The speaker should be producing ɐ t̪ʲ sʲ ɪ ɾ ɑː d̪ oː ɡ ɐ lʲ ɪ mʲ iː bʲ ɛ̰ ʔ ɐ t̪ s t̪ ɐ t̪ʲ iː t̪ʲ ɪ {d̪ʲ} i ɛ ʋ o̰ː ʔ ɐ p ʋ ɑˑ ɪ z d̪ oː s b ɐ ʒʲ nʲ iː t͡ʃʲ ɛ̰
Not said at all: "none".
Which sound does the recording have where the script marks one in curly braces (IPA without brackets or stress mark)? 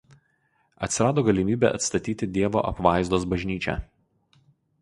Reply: d̪ʲ